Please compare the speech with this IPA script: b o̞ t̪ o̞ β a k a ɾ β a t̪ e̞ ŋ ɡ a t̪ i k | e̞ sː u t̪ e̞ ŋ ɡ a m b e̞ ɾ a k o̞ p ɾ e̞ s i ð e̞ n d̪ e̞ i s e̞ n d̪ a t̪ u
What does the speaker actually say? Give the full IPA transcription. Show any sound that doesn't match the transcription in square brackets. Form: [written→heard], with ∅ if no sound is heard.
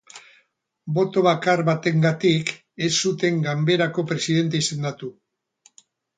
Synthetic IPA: b o̞ t̪ o̞ β a k a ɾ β a t̪ e̞ ŋ ɡ a t̪ i k | e̞ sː u t̪ e̞ ŋ ɡ a m b e̞ ɾ a k o̞ p ɾ e̞ s i ð e̞ n [d̪→t̪] e̞ i s e̞ n d̪ a t̪ u

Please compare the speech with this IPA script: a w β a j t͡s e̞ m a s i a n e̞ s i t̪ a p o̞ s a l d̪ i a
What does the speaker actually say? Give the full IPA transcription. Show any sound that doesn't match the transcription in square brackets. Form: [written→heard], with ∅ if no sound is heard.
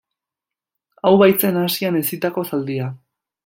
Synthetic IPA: a w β a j t͡s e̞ [m→n] a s i a n e̞ s i t̪ a [p→k] o̞ s a l d̪ i a

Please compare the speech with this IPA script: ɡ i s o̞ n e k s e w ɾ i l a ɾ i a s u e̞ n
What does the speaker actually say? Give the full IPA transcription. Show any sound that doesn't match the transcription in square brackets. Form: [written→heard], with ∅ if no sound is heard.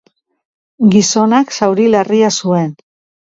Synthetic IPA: ɡ i s o̞ n [e→a] k s [e→a] w ɾ i l a [ɾ→r] i a s u e̞ n

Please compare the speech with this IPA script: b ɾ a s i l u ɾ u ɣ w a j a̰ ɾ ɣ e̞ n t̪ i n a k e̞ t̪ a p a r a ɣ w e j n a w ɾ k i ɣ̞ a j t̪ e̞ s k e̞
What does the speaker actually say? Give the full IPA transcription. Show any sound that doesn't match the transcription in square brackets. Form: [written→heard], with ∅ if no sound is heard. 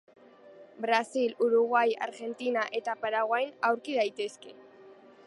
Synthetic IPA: b ɾ a s i l u ɾ u ɣ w a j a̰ ɾ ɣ e̞ n t̪ i n a [k→ʔ] e̞ t̪ a p a [r→ɾ] a ɣ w [e→a] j n a w ɾ k i [ɣ̞→ð̞] a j t̪ e̞ s k e̞

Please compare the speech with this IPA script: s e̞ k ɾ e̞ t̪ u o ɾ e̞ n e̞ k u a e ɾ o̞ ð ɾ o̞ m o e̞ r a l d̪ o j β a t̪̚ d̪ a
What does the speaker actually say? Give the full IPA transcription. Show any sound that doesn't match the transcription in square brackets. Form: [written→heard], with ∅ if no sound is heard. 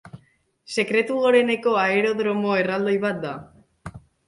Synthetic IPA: s e̞ k ɾ e̞ t̪ u o ɾ e̞ n e̞ k [u→o] a e ɾ o̞ ð ɾ o̞ m o e̞ r a l d̪ o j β a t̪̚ d̪ a

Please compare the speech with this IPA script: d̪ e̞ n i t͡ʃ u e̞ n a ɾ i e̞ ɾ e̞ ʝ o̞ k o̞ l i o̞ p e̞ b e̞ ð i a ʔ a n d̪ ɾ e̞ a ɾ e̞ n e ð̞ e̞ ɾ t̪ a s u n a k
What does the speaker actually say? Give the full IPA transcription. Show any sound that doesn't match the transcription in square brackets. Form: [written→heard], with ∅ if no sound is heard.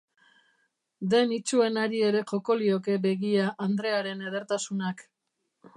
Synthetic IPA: d̪ e̞ n i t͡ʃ u e̞ n a ɾ i e̞ ɾ e̞ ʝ o̞ k o̞ l i o̞ [p→k] e̞ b e̞ [ð→ɣ] i a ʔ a n d̪ ɾ e̞ a ɾ e̞ n e ð̞ e̞ ɾ t̪ a s u n a k

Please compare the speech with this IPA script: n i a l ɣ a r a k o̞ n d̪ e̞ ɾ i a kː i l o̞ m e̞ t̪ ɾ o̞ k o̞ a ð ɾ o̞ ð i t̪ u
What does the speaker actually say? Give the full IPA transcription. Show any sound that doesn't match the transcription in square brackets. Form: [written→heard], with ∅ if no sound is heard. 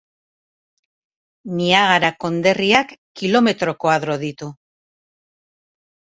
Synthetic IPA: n i a [l→∅] ɣ a [r→ɾ] a k o̞ n d̪ e̞ [ɾ→r] i a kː i l o̞ m e̞ t̪ ɾ o̞ k o̞ a ð ɾ o̞ ð i t̪ u

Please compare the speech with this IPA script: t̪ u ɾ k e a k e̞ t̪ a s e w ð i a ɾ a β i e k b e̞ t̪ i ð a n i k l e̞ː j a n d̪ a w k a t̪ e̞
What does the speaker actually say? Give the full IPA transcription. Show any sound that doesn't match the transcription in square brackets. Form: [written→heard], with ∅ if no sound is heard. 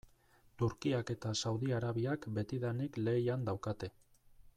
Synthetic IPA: t̪ u ɾ k [e→i] a k e̞ t̪ a s [e→a] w ð i a ɾ a β i [e→a] k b e̞ t̪ i ð a n i k l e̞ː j a n d̪ a w k a t̪ e̞

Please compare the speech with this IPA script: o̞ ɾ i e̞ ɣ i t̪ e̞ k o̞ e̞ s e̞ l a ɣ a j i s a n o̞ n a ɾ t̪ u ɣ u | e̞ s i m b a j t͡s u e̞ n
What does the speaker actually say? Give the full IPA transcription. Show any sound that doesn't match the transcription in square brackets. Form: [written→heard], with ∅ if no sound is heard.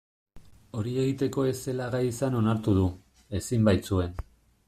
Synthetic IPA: o̞ ɾ i e̞ ɣ i t̪ e̞ k o̞ e̞ s e̞ l a ɣ a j i s a n o̞ n a ɾ t̪ u [ɣ→ð] u | e̞ s i m b a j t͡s u e̞ n

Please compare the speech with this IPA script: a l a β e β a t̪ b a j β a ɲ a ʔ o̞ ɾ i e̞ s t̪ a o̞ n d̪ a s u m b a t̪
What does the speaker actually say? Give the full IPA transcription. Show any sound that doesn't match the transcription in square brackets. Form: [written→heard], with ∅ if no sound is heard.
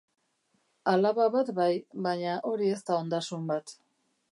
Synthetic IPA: a l a β [e→a] β a t̪ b a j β a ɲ a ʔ o̞ ɾ i e̞ s t̪ a o̞ n d̪ a s u m b a t̪

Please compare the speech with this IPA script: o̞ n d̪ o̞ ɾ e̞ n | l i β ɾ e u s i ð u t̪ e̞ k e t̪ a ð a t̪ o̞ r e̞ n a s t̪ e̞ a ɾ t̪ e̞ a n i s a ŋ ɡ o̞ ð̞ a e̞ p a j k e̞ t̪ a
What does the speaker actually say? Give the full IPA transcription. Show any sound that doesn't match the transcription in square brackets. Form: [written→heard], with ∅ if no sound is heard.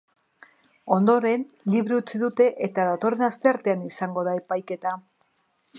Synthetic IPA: o̞ n d̪ o̞ ɾ e̞ n | l i β ɾ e u [s→t͡s] i ð u t̪ e̞ [k→ʔ] e t̪ a ð a t̪ o̞ r e̞ n a s t̪ e̞ a ɾ t̪ e̞ a n i s a ŋ ɡ o̞ ð̞ a e̞ p a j k e̞ t̪ a

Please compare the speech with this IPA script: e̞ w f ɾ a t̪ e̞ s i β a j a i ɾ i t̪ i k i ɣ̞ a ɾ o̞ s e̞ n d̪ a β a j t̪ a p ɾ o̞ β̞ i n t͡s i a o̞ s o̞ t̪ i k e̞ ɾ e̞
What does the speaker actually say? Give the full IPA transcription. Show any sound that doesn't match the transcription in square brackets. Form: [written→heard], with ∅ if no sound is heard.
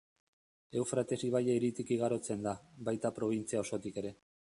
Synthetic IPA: e̞ w f ɾ a t̪ e̞ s i β a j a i ɾ i t̪ i k i ɣ̞ a ɾ o̞ [s→t͡s] e̞ n d̪ a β a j t̪ a p ɾ o̞ β̞ i n t͡s i a o̞ s o̞ t̪ i k e̞ ɾ e̞

